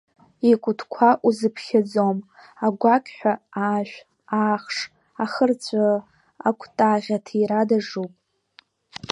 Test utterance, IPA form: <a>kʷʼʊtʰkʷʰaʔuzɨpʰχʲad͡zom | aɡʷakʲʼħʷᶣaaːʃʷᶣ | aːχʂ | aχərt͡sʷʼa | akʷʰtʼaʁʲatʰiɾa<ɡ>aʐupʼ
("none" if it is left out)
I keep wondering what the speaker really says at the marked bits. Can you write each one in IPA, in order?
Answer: i, d

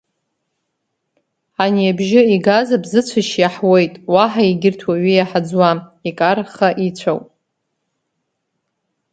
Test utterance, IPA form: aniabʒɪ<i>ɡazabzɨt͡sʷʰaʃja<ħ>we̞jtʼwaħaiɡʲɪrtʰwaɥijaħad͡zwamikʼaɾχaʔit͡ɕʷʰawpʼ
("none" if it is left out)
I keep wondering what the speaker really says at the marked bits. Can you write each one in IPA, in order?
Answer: i, ħ

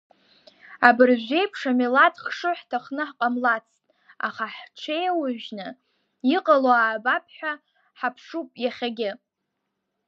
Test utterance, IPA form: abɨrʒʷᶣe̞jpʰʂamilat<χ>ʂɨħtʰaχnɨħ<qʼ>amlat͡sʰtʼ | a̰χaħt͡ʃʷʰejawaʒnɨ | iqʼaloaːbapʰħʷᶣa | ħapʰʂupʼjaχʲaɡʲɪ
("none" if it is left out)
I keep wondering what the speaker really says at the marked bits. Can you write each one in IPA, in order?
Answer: χ, qʼ

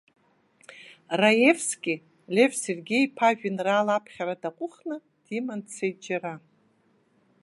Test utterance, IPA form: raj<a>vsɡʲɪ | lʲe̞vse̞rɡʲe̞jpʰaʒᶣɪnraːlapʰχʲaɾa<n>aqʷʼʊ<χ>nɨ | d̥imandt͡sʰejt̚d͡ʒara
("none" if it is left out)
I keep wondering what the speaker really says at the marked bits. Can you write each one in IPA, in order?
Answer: e, d, χ

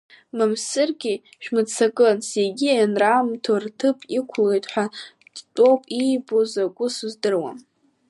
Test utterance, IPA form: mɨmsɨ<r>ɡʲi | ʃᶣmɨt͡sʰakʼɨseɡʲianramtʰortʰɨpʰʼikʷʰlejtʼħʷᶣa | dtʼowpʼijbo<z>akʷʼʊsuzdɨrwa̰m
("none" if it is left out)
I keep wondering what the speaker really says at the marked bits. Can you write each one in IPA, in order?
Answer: r, z

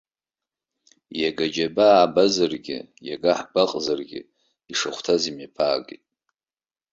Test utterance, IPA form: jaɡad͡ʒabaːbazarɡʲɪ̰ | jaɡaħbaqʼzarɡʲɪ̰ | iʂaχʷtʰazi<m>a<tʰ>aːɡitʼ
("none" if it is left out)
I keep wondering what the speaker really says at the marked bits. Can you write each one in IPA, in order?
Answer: m, pʰ

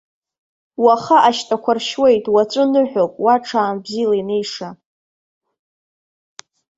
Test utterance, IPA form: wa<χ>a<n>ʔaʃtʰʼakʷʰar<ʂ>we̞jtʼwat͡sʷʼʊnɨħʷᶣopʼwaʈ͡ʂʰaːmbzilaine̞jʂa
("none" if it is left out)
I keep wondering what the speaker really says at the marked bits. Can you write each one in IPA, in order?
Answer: χ, none, ʃ

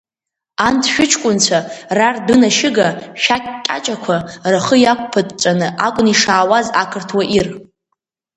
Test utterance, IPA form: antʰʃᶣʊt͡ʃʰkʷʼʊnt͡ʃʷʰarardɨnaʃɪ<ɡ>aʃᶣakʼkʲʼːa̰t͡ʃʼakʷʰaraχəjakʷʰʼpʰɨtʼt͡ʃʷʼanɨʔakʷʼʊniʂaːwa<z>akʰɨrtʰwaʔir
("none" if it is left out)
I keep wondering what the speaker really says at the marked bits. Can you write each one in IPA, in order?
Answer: ɡ, z

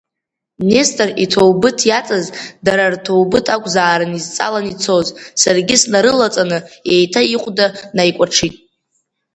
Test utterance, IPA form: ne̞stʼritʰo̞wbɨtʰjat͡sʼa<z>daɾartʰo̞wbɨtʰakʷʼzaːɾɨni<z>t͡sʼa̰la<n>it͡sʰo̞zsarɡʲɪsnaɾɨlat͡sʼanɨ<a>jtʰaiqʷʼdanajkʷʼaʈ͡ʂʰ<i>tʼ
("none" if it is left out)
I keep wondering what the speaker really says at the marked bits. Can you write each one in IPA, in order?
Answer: z, z, n, e, i

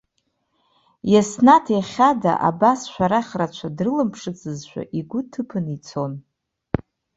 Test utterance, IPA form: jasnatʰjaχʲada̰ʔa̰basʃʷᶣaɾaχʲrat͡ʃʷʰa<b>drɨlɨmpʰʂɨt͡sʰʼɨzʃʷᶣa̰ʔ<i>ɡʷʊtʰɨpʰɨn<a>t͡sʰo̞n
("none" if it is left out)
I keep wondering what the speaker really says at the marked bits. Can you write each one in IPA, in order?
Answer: none, i, i

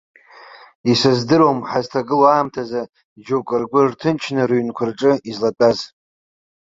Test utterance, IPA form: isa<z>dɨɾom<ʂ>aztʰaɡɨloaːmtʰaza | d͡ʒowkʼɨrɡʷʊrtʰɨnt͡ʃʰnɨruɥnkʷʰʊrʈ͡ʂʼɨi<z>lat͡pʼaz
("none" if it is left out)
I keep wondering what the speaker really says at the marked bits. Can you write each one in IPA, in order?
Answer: z, ħ, z

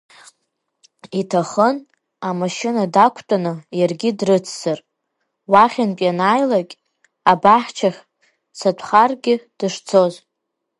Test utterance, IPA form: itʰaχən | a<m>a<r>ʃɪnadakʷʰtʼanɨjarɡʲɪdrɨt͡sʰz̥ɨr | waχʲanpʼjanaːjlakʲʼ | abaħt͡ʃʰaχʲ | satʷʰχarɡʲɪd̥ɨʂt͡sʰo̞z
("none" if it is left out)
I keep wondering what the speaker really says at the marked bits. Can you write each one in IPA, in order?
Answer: m, none

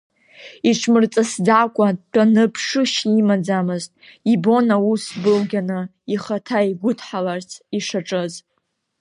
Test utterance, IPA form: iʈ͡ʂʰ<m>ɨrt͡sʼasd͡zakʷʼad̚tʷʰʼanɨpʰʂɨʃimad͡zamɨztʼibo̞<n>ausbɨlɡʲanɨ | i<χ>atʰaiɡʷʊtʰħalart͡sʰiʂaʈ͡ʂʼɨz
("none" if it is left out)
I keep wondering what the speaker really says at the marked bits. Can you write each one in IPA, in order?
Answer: m, n, χ

